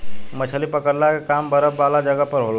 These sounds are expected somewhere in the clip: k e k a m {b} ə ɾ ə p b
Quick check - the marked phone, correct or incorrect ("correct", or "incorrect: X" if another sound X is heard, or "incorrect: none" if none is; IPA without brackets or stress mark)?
correct